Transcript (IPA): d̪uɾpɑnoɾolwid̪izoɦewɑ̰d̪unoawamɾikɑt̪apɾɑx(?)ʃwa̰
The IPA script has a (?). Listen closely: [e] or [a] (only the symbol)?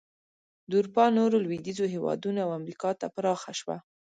a